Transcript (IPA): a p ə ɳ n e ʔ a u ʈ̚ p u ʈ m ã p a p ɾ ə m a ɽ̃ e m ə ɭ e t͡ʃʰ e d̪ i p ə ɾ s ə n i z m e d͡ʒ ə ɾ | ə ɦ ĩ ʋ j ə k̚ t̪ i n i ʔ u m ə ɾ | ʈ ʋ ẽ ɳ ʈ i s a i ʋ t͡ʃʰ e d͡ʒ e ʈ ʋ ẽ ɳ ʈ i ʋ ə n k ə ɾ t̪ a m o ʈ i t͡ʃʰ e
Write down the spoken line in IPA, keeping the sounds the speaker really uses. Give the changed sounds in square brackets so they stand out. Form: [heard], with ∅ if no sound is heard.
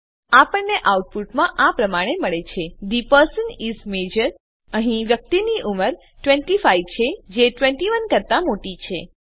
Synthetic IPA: a p ə ɳ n e ʔ a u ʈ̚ p u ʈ m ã [ʔ] a p ɾ ə m a ɽ̃ e m ə ɭ e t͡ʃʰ e d̪ i p ə ɾ s ə n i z m e d͡ʒ ə ɾ | ə ɦ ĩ ʋ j ə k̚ t̪ i n i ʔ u m ə ɾ | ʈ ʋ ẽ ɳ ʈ i [f] a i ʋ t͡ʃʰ e d͡ʒ e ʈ ʋ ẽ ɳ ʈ i ʋ ə n k ə ɾ t̪ a m o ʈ i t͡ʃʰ e

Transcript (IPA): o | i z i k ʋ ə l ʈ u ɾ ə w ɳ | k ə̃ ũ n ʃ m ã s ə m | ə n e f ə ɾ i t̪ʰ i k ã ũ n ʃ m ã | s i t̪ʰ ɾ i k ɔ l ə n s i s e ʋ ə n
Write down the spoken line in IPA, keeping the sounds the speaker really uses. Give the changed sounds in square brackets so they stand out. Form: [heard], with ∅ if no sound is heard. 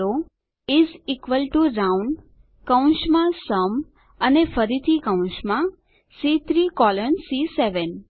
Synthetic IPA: o | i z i k ʋ ə l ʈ u ɾ [a] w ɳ | k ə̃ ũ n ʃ m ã s ə m | ə n e f ə ɾ i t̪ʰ i k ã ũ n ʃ m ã | s i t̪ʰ ɾ i k ɔ l ə n s i s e ʋ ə n

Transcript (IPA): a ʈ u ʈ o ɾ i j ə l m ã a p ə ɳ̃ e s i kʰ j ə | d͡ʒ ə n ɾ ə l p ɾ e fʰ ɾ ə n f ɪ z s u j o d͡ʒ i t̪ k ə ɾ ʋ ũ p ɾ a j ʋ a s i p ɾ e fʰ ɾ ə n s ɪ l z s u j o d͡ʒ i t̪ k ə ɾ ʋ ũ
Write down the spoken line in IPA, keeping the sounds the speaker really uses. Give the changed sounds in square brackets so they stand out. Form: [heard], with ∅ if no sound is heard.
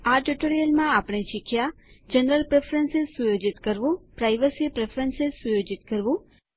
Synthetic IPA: a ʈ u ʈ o ɾ i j ə l m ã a p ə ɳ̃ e [ʃ] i kʰ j [a] | d͡ʒ ə n ɾ ə l p ɾ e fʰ ɾ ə n [s] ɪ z s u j o d͡ʒ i t̪ k ə ɾ ʋ ũ p ɾ a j ʋ [ə] s i p ɾ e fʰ ɾ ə n s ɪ [∅] z s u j o d͡ʒ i t̪ k ə ɾ ʋ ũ

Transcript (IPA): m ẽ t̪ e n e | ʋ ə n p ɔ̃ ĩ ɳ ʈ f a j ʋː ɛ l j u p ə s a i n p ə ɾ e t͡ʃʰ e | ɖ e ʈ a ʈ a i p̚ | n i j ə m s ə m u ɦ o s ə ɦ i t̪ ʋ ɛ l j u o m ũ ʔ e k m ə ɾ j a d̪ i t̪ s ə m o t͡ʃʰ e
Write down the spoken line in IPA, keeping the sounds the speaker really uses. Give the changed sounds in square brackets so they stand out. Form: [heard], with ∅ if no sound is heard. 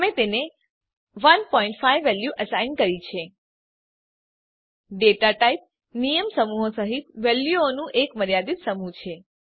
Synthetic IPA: m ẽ t̪ e n e | ʋ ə n p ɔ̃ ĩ ɳ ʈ f a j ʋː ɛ l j u [ʔ] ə s a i n [k] ə ɾ [i] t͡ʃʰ e | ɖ e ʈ a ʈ a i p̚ | n i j ə m s ə m u ɦ o s ə ɦ i t̪ ʋ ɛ l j u o [n] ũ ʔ e k m ə ɾ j a d̪ i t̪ s ə m [u] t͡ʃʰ e

